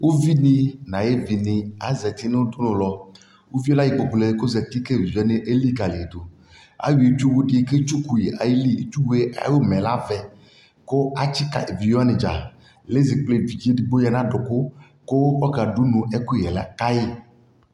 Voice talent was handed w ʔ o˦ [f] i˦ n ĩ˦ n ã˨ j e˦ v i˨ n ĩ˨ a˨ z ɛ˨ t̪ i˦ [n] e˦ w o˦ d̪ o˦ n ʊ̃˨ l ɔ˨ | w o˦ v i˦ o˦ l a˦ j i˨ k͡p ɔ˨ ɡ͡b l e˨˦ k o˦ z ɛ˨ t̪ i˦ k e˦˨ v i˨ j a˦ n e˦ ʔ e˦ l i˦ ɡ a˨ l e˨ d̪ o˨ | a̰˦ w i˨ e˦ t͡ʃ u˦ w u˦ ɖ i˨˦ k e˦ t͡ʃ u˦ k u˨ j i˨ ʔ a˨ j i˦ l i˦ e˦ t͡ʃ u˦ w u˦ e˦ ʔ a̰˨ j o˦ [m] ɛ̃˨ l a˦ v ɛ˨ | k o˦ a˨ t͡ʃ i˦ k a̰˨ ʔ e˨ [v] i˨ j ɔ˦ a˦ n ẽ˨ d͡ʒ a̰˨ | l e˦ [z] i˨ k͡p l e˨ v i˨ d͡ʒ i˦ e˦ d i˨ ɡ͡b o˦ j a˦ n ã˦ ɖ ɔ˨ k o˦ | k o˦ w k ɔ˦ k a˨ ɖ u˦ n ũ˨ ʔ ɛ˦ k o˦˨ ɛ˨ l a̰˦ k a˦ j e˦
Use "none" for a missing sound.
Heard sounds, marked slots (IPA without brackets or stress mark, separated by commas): v, n, m, v, z